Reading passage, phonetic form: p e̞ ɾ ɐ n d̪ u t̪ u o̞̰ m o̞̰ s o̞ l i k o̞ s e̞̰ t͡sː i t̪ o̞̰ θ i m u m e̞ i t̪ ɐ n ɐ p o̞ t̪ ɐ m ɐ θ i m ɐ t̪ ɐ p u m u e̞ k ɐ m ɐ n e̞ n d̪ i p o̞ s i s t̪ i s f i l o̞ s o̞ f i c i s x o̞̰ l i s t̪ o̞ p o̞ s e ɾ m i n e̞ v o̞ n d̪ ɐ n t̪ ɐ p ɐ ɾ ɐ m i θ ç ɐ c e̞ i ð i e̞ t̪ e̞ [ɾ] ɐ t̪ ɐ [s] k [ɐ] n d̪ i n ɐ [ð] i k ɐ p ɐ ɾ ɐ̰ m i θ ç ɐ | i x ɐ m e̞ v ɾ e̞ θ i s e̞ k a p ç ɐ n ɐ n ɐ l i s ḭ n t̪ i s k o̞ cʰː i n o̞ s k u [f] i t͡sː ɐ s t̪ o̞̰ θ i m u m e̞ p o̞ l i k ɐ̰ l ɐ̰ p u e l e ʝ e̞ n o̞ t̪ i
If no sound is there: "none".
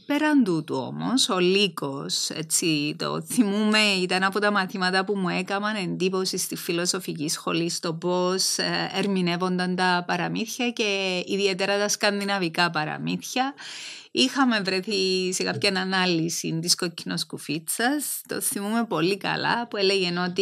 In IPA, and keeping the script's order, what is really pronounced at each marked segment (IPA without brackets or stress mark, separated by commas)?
ɾ, s, ɐ, v, f